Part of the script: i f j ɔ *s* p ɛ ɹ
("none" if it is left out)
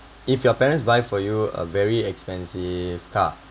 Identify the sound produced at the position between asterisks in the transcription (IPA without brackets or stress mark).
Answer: none